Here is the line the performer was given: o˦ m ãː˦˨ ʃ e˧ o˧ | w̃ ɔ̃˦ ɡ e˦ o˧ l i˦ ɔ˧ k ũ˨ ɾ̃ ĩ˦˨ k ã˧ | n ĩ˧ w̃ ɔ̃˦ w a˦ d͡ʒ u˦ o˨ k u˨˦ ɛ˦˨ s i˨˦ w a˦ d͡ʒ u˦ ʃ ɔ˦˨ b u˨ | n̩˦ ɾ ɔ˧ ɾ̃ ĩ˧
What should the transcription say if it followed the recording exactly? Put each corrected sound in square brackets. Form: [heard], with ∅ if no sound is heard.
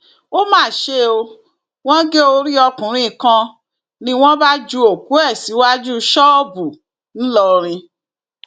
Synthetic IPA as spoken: o˦ m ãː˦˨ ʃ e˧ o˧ | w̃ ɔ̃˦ ɡ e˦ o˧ [ɾ] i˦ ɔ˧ k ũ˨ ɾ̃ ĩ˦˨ k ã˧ | n ĩ˧ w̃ ɔ̃˦ [b] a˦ d͡ʒ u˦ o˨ k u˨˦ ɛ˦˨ s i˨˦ w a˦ d͡ʒ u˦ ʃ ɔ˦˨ b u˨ | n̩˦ [l] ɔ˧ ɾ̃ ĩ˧